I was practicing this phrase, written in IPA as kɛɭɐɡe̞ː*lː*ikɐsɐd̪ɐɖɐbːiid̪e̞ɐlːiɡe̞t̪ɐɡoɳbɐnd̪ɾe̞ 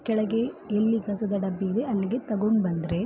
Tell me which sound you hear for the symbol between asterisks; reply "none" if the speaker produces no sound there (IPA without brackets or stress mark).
lː